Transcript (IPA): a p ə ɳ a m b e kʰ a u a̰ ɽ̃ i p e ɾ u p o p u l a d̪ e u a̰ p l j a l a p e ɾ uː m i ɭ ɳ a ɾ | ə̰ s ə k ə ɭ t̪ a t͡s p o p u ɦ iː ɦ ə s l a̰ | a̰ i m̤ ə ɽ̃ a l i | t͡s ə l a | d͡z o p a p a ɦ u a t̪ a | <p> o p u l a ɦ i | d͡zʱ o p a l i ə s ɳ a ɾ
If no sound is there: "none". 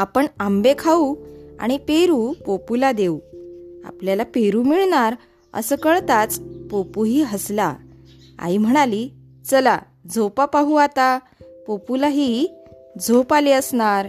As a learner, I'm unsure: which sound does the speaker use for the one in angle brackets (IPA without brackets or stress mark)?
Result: p